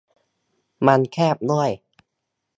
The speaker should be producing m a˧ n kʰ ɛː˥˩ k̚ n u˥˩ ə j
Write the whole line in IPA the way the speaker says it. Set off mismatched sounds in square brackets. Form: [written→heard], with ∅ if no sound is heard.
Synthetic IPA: m a˧ n kʰ ɛː˥˩ [k̚→p̚] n u˥˩ ə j